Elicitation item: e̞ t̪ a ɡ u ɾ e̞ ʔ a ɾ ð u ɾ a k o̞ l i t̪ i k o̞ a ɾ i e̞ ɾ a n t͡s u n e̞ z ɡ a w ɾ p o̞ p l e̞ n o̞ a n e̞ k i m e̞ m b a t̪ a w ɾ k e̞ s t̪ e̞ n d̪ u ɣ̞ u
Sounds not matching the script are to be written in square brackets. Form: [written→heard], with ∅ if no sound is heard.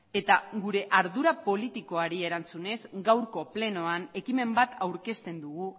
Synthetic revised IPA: e̞ t̪ a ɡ u ɾ e̞ ʔ a ɾ ð u ɾ a [k→p] o̞ l i t̪ i k o̞ a ɾ i e̞ ɾ a n t͡s u n e̞ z ɡ a w ɾ [p→k] o̞ p l e̞ n o̞ a n e̞ k i m e̞ m b a t̪ a w ɾ k e̞ s t̪ e̞ n d̪ u ɣ̞ u